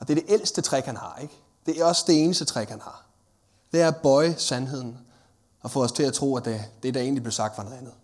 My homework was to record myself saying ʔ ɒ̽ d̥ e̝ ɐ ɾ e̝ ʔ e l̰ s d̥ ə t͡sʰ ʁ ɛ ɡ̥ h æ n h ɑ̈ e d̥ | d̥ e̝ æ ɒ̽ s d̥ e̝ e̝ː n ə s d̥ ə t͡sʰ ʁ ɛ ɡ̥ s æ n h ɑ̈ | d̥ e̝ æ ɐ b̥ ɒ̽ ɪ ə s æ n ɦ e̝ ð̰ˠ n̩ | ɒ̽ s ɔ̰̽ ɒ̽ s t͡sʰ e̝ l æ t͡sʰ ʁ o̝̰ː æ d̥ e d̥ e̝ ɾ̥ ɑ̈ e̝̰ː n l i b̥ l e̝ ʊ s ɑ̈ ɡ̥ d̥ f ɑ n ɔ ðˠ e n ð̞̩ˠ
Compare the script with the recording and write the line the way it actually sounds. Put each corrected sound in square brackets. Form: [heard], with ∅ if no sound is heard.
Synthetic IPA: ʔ ɒ̽ d̥ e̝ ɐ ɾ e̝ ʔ e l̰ s d̥ ə t͡sʰ ʁ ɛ ɡ̥ h æ n h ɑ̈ e [ɡ̥] | d̥ e̝ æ ɒ̽ s d̥ e̝ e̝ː n ə s d̥ ə t͡sʰ ʁ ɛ ɡ̥ [h] æ n h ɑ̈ | d̥ e̝ æ ɐ b̥ ɒ̽ ɪ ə s æ n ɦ e̝ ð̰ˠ n̩ | ɒ̽ [f] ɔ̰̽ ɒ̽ s t͡sʰ e̝ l æ t͡sʰ ʁ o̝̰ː æ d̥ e d̥ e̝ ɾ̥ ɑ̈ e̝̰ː n l i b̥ l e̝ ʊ s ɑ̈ ɡ̥ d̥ f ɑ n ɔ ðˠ [æ] n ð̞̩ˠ